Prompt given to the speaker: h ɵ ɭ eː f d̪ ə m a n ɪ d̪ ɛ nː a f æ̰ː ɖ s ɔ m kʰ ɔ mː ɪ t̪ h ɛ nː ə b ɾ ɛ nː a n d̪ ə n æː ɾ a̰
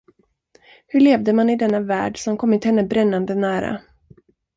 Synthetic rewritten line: h ɵ ɭ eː v d̪ ə m a n ɪ d̪ ɛ nː a v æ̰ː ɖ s ɔ m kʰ ɔ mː ɪ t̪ h ɛ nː ə b ɾ ɛ nː a n d̪ ə n æː ɾ a̰